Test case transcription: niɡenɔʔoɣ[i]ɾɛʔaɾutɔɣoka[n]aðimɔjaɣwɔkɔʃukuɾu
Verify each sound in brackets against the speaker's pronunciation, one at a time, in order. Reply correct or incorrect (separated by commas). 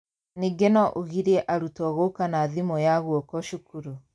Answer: correct, correct